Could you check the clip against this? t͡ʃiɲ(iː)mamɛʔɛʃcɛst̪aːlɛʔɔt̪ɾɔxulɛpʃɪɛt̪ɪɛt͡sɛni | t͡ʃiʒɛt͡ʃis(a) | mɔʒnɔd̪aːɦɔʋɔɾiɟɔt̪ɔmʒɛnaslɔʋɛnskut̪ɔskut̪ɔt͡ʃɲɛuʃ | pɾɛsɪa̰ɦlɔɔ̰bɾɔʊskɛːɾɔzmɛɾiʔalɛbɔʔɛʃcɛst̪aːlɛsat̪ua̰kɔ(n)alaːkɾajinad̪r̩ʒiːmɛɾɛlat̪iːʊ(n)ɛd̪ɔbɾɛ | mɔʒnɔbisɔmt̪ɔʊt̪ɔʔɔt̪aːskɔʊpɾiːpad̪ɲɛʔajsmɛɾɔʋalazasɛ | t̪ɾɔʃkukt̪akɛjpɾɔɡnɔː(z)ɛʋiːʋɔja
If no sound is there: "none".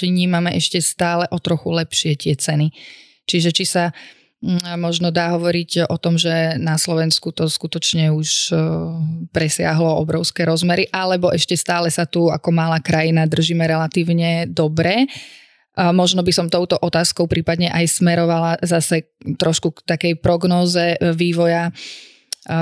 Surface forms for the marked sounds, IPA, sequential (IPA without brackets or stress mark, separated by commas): iː, a, m, ɲ, z